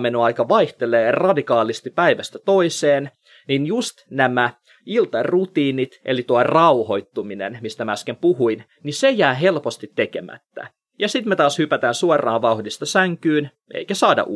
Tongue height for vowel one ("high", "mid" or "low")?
mid